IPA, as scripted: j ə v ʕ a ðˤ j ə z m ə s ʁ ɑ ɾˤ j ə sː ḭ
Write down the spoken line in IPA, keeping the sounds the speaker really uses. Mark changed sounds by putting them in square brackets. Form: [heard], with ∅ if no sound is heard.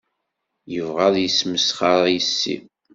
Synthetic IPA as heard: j ə v [ʁ] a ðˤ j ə [s] m ə s [χ] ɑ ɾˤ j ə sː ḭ